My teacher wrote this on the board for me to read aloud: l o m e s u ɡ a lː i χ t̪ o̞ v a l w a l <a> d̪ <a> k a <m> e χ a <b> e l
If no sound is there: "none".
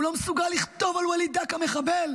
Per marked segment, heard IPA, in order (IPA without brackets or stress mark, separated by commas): i, a, m, b